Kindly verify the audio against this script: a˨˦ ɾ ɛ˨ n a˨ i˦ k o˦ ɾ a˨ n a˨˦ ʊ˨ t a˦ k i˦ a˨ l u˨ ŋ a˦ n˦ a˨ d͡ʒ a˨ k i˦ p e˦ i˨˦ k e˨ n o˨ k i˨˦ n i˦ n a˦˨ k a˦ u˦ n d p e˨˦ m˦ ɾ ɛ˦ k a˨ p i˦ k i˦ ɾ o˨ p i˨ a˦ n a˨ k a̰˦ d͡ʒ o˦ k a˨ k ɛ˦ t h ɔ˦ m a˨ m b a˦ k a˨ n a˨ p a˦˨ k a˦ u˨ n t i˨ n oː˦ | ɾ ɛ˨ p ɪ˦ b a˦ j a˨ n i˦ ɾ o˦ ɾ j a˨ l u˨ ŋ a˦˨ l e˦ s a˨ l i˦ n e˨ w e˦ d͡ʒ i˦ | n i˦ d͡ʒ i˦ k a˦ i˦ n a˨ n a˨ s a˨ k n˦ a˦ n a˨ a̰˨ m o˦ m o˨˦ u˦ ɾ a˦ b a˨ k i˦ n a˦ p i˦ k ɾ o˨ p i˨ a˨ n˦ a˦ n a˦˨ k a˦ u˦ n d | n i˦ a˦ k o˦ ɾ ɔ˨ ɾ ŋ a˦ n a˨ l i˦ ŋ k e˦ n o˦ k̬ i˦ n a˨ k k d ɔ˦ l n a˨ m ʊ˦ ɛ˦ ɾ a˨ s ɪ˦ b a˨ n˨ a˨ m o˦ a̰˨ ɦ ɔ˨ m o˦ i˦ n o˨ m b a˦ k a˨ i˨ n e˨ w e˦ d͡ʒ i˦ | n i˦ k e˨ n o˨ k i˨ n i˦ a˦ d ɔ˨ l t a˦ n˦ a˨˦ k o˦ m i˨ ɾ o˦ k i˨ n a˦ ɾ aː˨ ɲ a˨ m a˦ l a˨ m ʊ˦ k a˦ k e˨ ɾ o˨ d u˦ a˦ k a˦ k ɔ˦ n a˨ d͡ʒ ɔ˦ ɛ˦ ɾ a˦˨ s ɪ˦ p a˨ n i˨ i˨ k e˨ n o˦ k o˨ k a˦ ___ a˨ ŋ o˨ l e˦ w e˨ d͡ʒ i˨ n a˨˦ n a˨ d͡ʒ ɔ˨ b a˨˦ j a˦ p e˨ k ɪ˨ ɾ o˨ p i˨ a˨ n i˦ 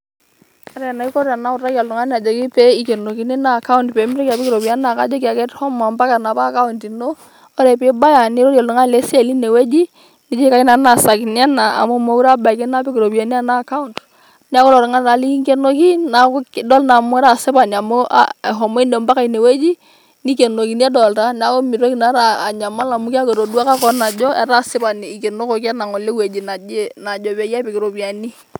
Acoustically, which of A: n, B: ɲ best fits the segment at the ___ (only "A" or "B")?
A